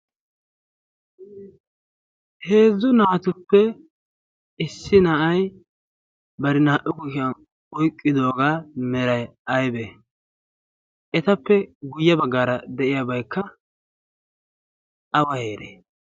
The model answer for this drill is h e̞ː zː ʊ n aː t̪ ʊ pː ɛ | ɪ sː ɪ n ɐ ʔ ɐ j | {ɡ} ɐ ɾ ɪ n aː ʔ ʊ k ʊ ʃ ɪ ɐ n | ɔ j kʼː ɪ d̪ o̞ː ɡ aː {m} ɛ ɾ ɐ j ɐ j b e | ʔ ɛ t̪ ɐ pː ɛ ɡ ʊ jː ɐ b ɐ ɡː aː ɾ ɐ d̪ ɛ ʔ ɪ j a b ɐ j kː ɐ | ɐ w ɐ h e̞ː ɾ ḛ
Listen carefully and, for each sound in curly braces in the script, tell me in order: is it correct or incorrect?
incorrect, correct

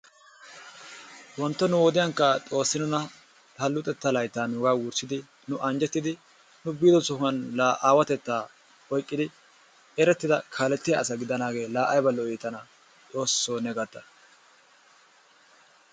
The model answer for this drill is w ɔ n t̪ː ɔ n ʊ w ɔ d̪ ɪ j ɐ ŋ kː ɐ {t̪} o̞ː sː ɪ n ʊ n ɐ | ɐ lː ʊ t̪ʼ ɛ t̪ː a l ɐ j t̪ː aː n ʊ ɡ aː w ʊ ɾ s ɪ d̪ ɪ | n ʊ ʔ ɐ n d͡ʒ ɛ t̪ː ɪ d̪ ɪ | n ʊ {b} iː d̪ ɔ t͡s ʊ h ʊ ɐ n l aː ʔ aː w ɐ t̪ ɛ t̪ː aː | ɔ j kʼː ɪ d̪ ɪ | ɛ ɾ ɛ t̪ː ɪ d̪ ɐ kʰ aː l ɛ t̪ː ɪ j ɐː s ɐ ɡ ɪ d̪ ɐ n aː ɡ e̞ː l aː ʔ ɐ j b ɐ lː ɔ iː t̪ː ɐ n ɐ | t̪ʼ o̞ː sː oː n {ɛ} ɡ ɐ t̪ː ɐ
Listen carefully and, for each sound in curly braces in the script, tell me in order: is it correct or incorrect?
incorrect, correct, correct

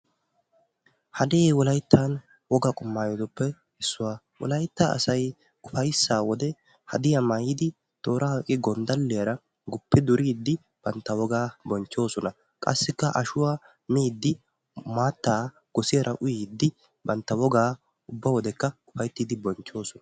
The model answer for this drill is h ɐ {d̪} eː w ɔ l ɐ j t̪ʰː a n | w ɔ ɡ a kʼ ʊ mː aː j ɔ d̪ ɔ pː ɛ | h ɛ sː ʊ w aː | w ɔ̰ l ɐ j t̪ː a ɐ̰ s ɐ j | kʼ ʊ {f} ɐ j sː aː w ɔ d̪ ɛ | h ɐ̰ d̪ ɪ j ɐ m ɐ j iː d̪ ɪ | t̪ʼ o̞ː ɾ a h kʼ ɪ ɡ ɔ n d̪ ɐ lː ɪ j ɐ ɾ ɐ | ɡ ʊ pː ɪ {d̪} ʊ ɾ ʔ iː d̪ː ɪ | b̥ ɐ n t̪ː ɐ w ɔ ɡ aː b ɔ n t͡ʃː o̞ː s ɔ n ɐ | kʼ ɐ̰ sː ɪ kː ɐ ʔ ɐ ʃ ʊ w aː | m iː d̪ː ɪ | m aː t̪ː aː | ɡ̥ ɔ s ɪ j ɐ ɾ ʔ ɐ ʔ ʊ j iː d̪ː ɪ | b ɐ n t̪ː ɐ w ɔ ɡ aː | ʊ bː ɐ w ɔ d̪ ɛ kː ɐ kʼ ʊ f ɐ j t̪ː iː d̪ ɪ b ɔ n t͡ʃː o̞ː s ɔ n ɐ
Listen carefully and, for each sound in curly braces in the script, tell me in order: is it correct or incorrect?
correct, correct, correct

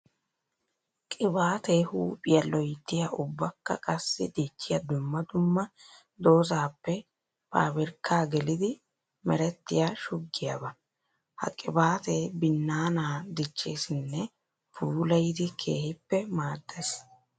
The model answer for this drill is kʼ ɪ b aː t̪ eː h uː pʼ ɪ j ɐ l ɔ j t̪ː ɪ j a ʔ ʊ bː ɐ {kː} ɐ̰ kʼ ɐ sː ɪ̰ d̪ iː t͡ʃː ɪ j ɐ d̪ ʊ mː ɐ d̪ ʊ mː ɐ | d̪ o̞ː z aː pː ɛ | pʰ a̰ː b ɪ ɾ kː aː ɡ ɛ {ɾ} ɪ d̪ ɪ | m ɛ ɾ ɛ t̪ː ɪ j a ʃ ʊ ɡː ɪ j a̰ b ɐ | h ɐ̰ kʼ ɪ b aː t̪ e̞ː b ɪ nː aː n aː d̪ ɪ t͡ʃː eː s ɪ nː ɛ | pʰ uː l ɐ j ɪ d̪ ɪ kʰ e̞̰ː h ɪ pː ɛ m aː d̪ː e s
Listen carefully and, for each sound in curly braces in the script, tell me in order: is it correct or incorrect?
correct, incorrect

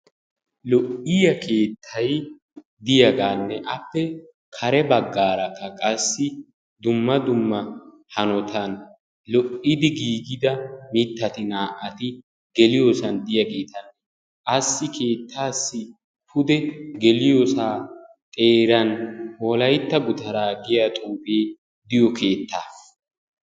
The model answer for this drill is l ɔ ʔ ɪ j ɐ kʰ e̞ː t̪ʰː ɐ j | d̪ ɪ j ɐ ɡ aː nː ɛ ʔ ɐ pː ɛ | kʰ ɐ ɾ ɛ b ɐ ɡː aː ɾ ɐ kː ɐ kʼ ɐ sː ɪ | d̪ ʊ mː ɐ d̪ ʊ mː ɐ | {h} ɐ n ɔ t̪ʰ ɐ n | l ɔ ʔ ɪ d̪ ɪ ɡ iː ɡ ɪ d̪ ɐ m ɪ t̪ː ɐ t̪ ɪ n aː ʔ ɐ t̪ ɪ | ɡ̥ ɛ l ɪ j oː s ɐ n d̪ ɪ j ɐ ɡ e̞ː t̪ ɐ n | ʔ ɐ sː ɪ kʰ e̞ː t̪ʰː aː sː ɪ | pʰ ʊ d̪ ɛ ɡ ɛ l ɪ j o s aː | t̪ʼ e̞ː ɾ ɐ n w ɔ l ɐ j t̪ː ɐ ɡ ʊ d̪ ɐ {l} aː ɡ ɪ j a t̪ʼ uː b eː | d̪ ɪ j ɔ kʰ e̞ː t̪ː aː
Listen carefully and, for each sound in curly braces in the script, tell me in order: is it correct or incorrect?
correct, incorrect

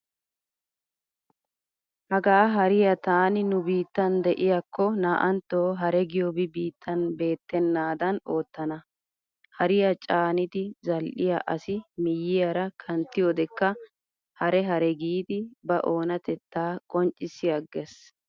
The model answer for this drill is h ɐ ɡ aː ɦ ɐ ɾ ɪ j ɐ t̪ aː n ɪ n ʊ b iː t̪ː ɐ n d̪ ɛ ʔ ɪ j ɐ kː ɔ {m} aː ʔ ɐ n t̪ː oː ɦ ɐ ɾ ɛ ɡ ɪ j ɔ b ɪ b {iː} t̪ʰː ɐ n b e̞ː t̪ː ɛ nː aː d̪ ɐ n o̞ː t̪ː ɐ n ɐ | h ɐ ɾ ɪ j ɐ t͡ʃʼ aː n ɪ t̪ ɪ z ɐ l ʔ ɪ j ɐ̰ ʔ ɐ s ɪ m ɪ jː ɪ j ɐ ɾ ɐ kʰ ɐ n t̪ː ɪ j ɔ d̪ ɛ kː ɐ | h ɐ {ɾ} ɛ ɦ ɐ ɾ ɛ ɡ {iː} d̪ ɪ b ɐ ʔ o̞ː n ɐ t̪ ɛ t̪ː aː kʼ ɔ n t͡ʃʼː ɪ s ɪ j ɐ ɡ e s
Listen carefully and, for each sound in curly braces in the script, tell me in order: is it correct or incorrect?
incorrect, correct, correct, correct

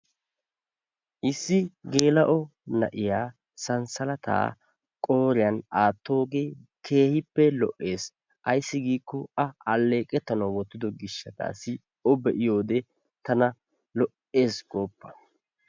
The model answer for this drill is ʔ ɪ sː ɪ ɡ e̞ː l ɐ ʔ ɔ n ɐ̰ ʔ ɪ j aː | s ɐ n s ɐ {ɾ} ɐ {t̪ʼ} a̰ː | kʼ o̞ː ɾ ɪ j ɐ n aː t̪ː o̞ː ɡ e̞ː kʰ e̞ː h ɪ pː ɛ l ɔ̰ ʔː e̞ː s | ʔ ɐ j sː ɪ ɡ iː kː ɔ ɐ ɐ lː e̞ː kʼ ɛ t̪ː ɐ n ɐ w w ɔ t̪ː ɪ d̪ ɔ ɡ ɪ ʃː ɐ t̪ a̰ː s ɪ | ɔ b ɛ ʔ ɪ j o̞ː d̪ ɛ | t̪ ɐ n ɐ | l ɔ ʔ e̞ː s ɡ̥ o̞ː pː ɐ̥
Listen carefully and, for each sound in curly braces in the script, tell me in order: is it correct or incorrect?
incorrect, incorrect

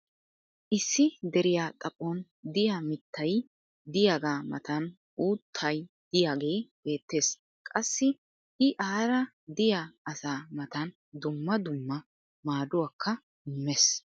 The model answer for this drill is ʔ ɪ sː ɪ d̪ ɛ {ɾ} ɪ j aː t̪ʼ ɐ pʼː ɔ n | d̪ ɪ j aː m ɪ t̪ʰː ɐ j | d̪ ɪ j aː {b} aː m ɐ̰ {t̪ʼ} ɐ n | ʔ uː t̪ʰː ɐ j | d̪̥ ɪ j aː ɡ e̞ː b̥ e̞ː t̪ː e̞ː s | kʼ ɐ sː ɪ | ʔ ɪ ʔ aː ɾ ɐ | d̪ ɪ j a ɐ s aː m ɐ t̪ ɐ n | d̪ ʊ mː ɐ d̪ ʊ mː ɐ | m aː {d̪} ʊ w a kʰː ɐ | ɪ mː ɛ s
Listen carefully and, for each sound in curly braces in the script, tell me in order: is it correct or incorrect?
correct, incorrect, incorrect, correct

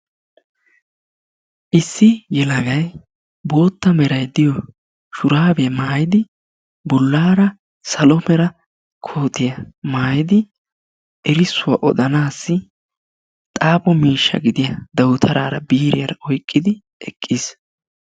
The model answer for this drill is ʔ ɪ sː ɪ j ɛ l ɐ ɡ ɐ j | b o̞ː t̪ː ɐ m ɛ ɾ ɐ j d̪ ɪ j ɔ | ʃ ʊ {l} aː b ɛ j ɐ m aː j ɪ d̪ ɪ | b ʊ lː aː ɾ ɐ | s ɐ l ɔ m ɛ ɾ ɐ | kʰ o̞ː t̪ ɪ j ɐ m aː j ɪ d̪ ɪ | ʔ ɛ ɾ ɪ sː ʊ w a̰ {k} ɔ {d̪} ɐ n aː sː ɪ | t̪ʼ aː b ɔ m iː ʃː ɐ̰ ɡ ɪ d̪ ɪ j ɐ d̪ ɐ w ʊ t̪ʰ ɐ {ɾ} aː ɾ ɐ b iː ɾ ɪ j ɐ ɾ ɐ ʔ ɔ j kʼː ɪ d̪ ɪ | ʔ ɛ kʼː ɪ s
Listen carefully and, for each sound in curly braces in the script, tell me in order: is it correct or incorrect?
incorrect, incorrect, correct, correct

